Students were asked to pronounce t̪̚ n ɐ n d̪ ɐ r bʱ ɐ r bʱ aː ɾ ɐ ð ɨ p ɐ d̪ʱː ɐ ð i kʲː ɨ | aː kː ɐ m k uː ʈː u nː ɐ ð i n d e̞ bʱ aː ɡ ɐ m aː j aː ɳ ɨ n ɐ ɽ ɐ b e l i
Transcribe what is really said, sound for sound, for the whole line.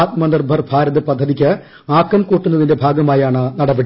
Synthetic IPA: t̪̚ m ɐ n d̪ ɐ r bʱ ɐ r bʱ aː ɾ ɐ ð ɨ p ɐ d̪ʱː ɐ ð i kʲː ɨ | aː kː ɐ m k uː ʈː u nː ɐ ð i n d e̞ bʱ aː ɡ ɐ m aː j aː ɳ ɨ n ɐ ɽ ɐ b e ɽ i